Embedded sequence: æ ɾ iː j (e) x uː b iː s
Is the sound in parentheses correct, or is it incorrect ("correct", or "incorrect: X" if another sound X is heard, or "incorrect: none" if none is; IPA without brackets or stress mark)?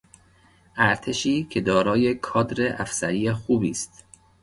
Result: correct